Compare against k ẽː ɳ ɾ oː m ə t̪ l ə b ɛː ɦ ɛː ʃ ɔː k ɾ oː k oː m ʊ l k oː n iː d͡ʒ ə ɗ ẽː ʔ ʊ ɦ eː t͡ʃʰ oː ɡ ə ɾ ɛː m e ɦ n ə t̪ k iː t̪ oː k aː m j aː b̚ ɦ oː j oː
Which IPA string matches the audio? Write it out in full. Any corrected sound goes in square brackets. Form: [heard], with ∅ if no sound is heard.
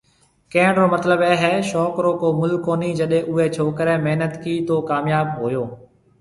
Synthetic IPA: k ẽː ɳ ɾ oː m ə t̪ l ə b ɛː ɦ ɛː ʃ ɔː k ɾ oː k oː m ʊ l k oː n iː d͡ʒ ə ɗ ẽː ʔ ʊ ɦ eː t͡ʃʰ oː [k] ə ɾ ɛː m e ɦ n ə t̪ k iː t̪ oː k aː m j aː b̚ ɦ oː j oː